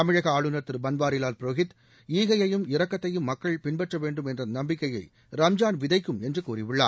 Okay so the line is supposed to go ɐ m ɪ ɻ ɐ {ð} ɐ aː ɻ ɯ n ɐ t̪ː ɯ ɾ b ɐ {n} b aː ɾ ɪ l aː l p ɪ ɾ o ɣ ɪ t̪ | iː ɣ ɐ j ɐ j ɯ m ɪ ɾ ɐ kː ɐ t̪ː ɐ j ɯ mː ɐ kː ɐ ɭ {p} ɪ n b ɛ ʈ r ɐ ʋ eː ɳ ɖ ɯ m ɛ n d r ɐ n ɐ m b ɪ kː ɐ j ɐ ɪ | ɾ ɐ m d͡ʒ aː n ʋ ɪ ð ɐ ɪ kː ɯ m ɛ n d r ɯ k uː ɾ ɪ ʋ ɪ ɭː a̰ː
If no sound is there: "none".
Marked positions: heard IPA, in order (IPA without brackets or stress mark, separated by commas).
ɣ, n, p